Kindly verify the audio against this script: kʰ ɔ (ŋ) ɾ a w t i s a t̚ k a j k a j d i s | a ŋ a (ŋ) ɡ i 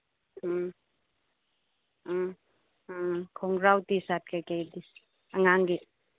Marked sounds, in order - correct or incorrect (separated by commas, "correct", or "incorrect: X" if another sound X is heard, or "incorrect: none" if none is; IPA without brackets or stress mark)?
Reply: correct, correct